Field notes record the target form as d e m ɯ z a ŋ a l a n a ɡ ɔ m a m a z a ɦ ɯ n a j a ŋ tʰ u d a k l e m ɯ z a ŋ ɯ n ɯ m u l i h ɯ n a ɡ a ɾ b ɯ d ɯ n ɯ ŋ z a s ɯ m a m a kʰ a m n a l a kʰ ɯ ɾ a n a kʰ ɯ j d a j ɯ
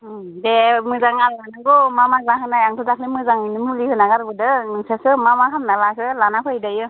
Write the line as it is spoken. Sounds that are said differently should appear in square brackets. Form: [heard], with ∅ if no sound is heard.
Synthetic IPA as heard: d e m ɯ z a ŋ a l a n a ɡ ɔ m a m a z a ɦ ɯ n a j a ŋ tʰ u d a k l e m ɯ z a ŋ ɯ n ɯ m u l i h ɯ n a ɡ a ɾ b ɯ d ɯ n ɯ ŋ [s] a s ɯ m a m a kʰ a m n a l a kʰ ɯ [l] a n a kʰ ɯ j d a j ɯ